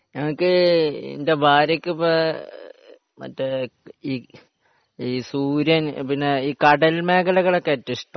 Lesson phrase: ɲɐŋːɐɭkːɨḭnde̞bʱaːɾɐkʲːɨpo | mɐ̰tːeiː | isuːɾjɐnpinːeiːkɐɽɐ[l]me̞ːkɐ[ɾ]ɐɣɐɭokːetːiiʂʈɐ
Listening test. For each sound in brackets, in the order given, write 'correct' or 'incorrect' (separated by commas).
correct, incorrect